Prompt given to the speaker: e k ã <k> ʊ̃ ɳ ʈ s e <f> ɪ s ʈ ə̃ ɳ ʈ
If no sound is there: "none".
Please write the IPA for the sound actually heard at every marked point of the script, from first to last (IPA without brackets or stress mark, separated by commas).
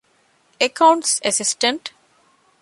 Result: none, s